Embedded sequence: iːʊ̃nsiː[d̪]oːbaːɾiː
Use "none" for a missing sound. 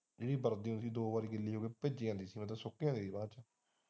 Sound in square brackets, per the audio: d̪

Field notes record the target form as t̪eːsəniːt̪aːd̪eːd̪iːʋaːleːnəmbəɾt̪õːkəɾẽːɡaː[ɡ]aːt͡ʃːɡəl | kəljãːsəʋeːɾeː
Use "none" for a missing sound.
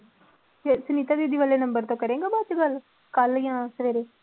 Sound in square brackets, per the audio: b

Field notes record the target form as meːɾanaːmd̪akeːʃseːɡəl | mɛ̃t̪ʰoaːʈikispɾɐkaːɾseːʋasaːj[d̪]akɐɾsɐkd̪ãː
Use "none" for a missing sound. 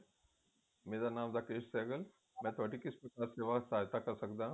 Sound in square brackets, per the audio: t̪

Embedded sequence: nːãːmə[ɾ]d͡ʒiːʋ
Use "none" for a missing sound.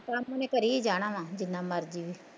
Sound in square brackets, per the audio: ɾ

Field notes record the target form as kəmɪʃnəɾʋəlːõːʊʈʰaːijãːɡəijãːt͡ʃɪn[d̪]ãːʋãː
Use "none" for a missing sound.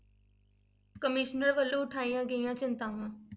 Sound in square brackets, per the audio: t̪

